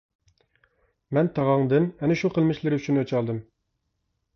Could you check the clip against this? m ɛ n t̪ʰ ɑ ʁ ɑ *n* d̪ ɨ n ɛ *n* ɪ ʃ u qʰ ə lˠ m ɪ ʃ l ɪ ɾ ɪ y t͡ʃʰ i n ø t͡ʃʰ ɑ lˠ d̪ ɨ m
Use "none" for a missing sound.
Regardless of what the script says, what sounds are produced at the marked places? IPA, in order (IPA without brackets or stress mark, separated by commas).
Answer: ŋ, n